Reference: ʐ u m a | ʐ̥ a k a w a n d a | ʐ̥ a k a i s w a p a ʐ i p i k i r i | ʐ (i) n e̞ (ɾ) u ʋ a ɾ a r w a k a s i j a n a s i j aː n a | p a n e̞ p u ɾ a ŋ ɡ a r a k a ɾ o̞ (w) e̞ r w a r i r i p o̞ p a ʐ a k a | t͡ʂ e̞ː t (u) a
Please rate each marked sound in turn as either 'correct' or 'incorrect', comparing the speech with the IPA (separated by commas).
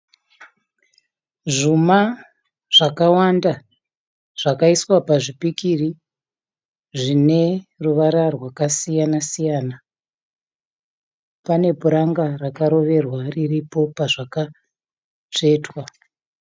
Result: correct, incorrect, incorrect, incorrect